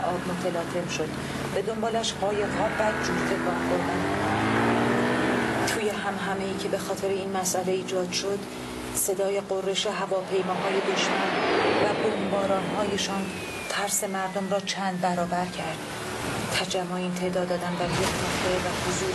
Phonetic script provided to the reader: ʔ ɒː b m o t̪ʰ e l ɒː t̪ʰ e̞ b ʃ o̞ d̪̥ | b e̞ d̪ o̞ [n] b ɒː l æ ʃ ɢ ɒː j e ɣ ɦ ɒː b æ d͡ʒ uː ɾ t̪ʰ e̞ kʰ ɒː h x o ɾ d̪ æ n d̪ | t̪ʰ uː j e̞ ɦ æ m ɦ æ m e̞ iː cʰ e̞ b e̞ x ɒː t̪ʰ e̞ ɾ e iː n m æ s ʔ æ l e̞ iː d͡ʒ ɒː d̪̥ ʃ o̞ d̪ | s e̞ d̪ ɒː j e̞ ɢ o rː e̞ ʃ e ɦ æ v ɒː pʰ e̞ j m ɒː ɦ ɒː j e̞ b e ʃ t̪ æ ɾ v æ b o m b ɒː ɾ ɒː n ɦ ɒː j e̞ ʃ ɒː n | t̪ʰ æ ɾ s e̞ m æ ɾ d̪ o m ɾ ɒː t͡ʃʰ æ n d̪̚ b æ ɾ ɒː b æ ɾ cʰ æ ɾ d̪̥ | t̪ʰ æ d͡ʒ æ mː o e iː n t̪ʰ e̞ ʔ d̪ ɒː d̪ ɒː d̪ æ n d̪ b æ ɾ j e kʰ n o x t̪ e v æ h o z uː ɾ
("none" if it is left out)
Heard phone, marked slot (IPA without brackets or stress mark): m